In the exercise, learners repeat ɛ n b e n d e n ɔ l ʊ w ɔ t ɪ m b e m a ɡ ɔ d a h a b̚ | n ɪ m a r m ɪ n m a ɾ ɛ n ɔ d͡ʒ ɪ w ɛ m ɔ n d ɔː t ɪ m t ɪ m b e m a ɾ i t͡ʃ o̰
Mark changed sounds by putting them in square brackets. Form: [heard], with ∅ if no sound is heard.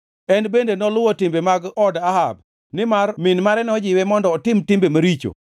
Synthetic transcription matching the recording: ɛ n b e n d e n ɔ l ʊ w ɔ t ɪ m b e m a ɡ ɔ d a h a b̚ | n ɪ m a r m ɪ n m a ɾ ɛ n ɔ d͡ʒ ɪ w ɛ m ɔ n d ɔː t ɪ m t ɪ m b e m a ɾ i t͡ʃ o̰